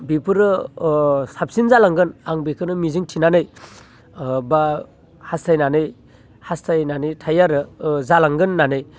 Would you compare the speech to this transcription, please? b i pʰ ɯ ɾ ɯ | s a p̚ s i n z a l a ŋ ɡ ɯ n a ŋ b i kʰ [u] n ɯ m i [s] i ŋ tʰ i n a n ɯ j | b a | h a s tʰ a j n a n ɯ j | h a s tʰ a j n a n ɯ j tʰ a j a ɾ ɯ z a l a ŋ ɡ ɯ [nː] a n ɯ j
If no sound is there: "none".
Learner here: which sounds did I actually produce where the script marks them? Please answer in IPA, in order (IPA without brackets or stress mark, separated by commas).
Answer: ɯ, z, nː